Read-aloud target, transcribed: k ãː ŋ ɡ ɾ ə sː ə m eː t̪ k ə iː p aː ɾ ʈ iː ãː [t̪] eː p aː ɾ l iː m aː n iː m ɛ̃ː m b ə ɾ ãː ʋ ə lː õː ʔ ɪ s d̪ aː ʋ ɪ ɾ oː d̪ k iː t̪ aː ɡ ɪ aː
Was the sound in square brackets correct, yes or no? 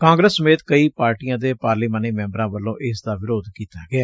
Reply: no